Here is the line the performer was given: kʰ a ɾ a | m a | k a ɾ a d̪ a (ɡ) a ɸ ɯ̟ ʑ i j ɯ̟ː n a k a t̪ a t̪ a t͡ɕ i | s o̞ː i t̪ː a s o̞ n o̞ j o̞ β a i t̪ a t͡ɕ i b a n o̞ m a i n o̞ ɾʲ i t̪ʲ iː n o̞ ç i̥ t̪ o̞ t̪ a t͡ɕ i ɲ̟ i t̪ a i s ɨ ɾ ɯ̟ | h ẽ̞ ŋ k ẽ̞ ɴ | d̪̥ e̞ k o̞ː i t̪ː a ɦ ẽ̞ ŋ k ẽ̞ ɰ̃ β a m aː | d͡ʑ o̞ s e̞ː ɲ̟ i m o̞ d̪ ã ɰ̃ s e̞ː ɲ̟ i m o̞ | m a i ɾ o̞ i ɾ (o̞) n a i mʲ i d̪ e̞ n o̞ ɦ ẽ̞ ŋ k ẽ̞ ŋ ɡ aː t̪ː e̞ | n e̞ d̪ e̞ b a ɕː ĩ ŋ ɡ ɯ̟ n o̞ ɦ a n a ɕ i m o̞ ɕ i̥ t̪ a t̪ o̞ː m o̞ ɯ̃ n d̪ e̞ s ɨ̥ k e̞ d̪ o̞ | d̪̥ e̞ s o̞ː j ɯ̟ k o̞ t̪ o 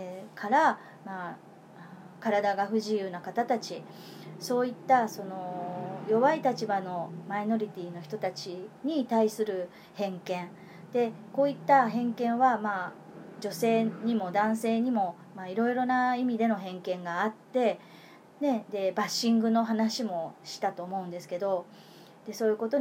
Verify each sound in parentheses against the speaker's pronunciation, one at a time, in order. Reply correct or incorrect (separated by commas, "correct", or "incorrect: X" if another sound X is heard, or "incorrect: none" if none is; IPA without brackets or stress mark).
correct, correct